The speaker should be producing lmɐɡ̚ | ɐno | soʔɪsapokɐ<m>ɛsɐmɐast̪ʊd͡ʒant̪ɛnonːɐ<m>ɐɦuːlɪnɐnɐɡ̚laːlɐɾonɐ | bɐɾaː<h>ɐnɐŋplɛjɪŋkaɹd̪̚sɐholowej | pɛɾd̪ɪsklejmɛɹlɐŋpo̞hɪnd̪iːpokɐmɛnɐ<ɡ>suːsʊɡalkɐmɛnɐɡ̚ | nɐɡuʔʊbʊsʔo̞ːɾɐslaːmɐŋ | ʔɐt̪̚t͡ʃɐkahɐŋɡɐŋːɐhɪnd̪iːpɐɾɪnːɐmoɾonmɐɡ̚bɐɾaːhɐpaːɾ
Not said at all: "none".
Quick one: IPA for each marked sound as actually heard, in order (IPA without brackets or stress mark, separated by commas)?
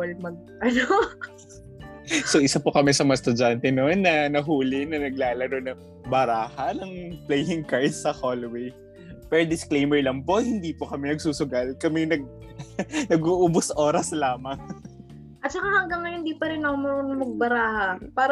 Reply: m, n, h, ɡ